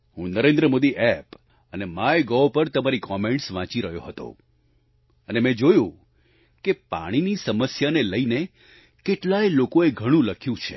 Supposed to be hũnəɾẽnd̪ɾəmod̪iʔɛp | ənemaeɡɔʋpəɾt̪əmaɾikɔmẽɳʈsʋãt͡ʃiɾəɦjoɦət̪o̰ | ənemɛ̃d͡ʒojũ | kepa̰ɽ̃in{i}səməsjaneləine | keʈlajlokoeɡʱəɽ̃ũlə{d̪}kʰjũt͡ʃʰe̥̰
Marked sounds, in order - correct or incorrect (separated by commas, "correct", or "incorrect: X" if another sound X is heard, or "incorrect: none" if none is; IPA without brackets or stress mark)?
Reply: correct, incorrect: none